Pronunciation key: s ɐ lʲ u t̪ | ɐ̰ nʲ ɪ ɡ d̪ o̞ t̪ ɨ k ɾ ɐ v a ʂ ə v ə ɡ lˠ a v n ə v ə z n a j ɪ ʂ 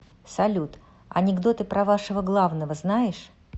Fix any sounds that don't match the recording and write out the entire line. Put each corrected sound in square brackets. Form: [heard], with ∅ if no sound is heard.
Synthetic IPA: s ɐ lʲ u t̪ | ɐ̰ nʲ ɪ ɡ d̪ o̞ t̪ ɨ [p] ɾ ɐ v a ʂ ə v ə ɡ lˠ a v n ə v ə z n a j ɪ ʂ